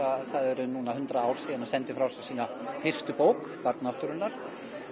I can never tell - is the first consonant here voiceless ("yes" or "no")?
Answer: yes